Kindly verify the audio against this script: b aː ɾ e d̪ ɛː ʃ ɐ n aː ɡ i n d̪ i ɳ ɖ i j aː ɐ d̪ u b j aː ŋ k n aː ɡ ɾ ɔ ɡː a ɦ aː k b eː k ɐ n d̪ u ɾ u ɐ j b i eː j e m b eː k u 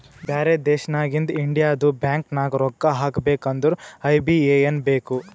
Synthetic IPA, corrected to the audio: b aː ɾ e d̪ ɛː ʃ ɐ n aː ɡ i n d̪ i ɳ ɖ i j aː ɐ d̪ u b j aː ŋ k n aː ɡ ɾ ɔ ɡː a ɦ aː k b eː k ɐ n d̪ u ɾ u ɐ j b i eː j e n b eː k u